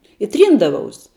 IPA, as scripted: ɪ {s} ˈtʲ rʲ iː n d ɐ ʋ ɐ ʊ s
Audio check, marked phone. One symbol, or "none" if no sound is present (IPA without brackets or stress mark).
none